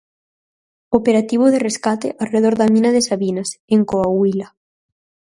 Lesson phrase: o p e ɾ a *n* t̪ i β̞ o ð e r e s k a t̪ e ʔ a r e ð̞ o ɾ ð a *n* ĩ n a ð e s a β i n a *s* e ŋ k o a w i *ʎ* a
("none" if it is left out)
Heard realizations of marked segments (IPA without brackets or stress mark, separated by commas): none, m, s, l